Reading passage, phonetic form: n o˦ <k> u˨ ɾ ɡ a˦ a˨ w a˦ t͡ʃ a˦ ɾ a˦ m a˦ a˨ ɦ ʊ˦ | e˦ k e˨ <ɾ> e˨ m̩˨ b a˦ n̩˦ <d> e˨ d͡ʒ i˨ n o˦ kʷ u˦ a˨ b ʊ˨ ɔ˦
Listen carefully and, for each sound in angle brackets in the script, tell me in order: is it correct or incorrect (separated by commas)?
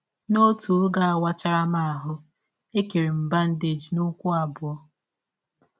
incorrect, correct, correct